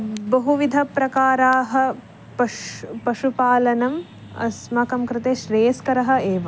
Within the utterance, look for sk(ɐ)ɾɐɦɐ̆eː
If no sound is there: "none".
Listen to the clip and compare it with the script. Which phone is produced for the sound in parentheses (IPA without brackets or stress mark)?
ɐ